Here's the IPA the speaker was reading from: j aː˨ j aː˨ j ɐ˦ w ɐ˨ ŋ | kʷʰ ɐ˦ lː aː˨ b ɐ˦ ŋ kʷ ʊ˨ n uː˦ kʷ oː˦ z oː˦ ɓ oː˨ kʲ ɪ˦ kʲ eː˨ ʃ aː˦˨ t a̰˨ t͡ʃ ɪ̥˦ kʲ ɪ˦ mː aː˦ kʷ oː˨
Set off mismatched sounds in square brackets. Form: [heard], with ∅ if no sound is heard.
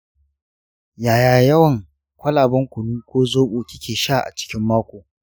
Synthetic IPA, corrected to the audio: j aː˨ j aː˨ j ɐ˦ w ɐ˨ ŋ | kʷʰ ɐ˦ [l] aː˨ b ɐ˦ ŋ kʷ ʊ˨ n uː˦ kʷ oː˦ z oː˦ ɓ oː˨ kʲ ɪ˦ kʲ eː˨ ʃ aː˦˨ [ʔ] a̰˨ t͡ʃ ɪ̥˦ kʲ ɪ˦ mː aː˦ kʷ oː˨